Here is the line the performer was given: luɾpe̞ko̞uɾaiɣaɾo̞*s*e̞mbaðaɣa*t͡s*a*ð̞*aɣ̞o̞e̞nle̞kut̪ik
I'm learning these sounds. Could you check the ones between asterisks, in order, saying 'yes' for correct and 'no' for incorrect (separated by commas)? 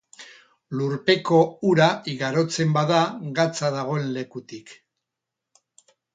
no, yes, yes